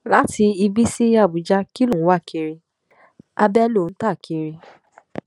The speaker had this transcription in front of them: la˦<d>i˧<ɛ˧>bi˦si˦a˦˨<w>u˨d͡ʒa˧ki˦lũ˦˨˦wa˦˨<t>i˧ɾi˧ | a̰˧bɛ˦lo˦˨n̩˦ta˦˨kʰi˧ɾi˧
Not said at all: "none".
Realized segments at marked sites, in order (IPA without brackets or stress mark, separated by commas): t, i˧, b, k